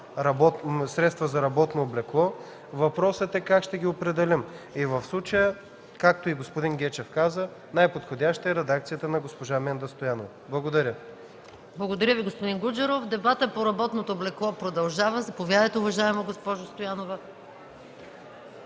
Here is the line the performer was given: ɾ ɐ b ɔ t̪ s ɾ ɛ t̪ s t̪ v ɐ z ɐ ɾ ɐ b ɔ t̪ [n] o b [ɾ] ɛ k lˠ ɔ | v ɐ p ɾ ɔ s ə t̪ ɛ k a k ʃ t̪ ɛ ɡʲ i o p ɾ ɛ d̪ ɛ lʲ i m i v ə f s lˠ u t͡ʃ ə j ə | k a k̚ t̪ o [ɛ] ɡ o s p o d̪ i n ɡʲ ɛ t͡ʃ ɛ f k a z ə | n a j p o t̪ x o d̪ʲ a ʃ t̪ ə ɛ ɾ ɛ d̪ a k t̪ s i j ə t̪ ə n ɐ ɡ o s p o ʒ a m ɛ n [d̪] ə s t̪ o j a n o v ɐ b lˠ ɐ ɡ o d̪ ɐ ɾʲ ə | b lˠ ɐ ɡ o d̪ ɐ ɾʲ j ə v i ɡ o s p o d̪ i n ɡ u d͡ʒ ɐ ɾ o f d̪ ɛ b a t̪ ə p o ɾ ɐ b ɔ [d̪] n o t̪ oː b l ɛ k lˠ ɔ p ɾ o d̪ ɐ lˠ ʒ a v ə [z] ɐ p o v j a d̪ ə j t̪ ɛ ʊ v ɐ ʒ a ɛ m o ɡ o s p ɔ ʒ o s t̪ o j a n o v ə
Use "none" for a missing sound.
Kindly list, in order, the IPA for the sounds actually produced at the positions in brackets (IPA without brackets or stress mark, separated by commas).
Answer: n, l, i, d̪, t̪, z